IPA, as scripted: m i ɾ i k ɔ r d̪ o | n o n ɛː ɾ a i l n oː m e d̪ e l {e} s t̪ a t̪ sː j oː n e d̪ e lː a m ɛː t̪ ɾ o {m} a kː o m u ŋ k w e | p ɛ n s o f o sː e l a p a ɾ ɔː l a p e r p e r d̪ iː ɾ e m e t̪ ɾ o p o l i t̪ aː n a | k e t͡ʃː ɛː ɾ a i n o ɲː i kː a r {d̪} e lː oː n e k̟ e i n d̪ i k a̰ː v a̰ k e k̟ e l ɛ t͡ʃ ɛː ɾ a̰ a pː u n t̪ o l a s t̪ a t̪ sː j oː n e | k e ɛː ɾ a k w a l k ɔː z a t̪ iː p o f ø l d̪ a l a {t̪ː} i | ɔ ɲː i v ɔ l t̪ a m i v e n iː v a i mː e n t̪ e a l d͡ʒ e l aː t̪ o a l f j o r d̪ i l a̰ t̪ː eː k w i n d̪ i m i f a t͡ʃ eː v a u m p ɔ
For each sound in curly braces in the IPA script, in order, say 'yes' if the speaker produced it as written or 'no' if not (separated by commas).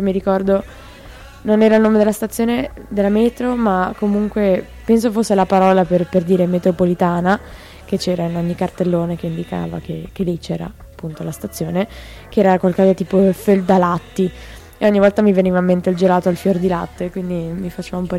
no, yes, no, yes